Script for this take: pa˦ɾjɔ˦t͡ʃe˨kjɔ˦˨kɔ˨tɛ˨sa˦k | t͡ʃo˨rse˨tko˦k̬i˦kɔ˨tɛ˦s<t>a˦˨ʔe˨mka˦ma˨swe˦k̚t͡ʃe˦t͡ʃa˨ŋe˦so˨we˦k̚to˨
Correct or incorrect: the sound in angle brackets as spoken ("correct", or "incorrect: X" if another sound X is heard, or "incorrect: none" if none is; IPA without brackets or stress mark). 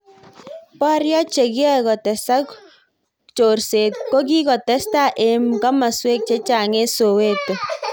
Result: correct